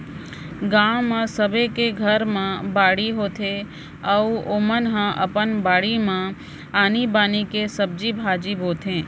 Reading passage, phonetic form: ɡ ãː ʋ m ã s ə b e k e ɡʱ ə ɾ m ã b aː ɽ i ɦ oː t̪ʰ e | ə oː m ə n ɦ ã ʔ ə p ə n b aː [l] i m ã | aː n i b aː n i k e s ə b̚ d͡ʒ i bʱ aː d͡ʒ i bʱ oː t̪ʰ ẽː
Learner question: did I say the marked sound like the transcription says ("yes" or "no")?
no